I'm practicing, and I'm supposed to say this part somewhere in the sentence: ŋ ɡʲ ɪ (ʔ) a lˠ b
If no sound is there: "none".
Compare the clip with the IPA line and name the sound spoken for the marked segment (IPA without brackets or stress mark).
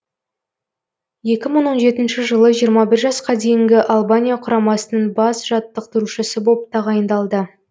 ʔ